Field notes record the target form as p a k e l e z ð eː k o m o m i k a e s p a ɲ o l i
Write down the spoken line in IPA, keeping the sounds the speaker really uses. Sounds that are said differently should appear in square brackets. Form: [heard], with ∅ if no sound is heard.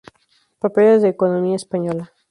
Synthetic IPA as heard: p a [p] e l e z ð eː k o [n] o m i [∅] a e s p a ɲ o l [a]